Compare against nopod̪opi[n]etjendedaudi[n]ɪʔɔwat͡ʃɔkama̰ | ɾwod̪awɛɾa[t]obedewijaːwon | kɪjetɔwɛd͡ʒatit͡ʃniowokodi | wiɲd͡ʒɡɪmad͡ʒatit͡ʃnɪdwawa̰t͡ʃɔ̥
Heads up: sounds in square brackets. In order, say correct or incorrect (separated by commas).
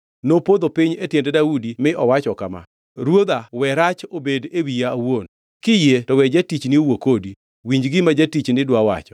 incorrect, incorrect, incorrect